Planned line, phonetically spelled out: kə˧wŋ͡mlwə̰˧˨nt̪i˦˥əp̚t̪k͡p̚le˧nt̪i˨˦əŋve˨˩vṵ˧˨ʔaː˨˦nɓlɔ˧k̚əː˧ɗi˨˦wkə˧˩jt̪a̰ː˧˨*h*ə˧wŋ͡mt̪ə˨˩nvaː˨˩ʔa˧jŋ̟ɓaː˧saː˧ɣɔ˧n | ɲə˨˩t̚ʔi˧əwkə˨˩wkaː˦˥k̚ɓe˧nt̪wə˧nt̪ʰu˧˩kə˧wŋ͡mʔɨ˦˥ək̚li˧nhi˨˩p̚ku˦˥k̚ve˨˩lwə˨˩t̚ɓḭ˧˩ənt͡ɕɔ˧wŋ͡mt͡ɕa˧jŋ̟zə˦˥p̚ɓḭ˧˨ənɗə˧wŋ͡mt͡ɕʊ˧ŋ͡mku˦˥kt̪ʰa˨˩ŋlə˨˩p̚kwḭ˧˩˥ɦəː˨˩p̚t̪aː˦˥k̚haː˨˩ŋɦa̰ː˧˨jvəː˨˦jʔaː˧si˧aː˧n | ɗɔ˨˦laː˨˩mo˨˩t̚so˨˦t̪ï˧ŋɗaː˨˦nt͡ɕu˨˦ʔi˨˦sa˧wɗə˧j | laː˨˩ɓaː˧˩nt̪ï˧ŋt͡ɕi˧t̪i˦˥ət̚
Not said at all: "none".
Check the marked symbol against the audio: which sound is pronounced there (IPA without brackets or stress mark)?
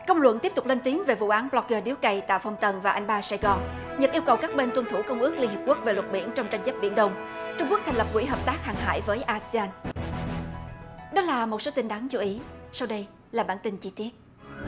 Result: f